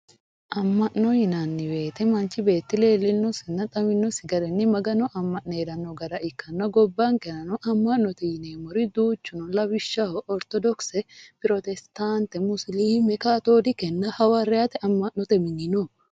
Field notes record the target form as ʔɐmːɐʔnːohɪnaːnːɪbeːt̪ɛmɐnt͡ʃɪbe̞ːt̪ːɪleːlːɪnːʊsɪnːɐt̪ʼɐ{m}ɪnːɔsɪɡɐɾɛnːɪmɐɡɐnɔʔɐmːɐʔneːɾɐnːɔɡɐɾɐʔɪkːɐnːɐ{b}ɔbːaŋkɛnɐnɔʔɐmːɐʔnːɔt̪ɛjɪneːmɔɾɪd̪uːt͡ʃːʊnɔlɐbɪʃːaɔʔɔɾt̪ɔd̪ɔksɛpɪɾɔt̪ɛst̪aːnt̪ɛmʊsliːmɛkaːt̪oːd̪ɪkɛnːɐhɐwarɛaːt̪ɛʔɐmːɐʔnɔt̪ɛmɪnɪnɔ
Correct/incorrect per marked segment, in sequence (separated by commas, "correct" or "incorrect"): correct, incorrect